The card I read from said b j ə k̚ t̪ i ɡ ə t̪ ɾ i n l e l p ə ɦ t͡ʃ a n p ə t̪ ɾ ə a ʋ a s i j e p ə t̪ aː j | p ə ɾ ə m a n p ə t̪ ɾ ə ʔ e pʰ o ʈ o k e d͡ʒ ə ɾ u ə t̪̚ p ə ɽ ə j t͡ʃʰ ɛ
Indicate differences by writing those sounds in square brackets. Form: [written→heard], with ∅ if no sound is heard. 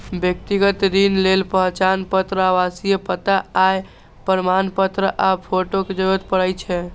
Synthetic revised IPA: b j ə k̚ t̪ i ɡ ə t̪ ɾ i n l e l p ə ɦ t͡ʃ a n p ə t̪ ɾ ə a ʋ a s i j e p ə t̪ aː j | p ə ɾ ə m a n p ə t̪ ɾ ə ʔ [e→a] pʰ o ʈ o k e d͡ʒ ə ɾ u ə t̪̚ p ə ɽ ə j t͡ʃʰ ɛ